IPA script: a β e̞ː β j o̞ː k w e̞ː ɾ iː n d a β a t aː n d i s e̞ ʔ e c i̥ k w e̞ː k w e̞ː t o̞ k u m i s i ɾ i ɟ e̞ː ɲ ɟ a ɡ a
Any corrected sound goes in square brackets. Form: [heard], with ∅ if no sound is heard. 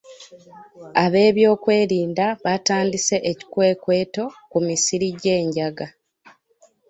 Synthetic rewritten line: a β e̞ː β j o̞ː k w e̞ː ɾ iː n d a β a t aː n d i s e̞ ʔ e c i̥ k w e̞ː k w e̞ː t o̞ k u m i s i ɾ i ɟ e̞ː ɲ ɟ a ɡ a